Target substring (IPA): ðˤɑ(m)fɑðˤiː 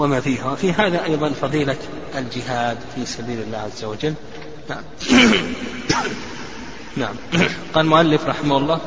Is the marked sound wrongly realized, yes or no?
yes